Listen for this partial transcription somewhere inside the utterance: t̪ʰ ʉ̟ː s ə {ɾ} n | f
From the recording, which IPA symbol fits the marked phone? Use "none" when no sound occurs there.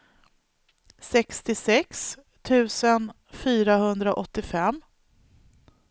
none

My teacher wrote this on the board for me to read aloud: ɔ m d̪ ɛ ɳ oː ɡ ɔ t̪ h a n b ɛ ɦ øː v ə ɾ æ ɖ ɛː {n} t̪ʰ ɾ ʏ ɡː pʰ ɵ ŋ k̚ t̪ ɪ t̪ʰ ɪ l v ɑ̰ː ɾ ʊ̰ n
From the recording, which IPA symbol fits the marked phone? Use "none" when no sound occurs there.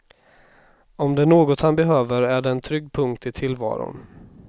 n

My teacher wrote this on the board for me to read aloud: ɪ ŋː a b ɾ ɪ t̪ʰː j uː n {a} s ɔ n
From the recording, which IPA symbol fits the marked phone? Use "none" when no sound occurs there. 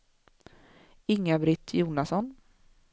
a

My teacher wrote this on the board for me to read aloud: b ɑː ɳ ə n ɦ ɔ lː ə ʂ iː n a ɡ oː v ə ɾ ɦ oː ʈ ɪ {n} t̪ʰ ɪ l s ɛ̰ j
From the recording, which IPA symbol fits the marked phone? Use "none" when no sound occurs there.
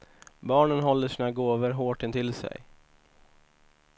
n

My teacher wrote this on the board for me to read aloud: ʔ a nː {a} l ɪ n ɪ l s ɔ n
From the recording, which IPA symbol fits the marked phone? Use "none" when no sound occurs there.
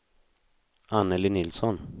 ə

